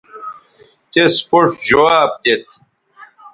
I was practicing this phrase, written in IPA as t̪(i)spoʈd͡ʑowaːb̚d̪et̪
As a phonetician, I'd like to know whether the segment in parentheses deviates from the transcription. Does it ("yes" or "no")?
yes